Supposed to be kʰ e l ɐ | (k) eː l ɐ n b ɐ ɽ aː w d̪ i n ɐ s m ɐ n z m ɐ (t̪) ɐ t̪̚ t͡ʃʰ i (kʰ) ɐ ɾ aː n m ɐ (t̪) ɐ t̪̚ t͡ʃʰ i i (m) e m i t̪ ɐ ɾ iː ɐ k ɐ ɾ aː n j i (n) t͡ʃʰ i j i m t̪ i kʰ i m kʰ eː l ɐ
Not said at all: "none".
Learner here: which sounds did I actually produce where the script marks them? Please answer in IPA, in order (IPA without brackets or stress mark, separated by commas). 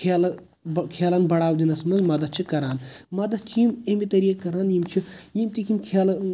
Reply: kʰ, d̪, k, d̪, m, m